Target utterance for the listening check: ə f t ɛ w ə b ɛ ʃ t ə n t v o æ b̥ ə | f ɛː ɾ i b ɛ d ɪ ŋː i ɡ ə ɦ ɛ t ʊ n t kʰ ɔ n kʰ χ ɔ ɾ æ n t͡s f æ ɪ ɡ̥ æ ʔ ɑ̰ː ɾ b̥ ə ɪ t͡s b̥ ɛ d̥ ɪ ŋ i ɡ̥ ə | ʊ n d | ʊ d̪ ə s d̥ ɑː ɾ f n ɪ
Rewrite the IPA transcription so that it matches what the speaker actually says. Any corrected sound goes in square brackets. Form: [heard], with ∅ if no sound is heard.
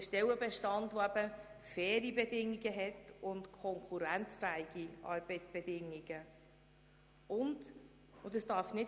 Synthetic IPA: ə [ʃ] t ɛ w ə b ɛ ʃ t [ɑ] n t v o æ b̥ ə | f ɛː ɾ i b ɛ d ɪ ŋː i ɡ ə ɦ ɛ t ʊ n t kʰ ɔ [ŋ] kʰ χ [u] ɾ æ n t͡s f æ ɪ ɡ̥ [i] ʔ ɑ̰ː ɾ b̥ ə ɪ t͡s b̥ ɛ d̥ ɪ ŋ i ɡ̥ ə | ʊ n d | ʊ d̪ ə s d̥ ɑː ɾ f n ɪ